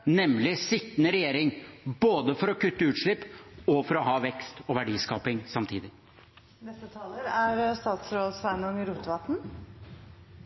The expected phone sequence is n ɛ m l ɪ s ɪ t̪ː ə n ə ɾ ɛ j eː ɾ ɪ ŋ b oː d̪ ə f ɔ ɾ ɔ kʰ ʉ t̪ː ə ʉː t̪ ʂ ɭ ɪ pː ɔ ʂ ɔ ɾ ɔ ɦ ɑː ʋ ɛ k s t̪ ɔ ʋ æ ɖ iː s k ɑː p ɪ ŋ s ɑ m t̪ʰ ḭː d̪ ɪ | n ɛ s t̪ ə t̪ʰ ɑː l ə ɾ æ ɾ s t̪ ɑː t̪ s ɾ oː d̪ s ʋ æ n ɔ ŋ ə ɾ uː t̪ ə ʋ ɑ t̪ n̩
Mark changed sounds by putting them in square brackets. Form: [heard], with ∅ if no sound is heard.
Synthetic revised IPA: n ɛ m l ɪ s ɪ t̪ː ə n ə ɾ ɛ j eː ɾ ɪ ŋ b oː d̪ ə f ɔ ɾ ɔ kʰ ʉ t̪ː ə ʉː t̪ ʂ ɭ ɪ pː ɔ [f] ɔ ɾ ɔ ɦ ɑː ʋ ɛ k s t̪ ɔ ʋ æ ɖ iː s k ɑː p ɪ ŋ s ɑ m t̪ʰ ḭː d̪ ɪ | n ɛ s t̪ ə t̪ʰ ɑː l ə ɾ æ ɾ s t̪ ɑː t̪ s ɾ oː d̪ s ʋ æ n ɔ ŋ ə ɾ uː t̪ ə ʋ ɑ t̪ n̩